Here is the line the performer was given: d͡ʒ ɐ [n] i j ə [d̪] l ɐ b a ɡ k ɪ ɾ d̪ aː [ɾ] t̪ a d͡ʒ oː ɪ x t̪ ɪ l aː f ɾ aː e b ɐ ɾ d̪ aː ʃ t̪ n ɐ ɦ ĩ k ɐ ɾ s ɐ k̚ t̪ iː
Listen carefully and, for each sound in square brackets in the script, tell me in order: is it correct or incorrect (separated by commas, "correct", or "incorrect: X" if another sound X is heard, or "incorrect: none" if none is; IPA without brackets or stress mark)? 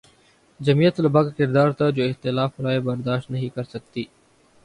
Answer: incorrect: m, incorrect: t̪, correct